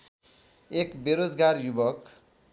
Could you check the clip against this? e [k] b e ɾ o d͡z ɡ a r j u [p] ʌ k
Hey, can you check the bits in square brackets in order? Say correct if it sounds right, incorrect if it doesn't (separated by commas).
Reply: correct, incorrect